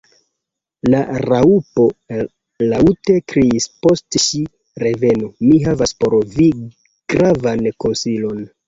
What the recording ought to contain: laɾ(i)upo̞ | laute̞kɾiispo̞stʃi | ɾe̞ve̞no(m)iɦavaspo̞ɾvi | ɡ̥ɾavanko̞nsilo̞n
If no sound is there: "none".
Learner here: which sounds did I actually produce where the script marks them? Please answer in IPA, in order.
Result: a, m

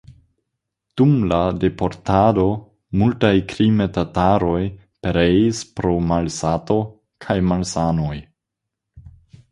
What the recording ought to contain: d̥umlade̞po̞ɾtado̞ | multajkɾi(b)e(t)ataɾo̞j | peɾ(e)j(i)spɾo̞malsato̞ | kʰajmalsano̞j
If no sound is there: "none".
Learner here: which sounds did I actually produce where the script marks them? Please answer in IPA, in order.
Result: m, t, e, i

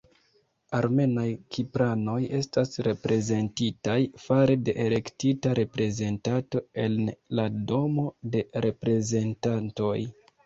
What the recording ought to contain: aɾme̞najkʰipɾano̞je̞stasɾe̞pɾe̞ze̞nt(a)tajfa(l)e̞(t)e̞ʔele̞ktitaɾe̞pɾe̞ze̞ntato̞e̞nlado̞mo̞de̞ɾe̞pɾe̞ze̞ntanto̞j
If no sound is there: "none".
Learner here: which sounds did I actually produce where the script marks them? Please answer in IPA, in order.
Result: i, ɾ, d

